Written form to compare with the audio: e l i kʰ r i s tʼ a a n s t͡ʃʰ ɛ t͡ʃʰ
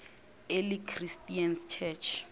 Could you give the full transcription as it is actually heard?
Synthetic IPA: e l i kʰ r i s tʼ i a n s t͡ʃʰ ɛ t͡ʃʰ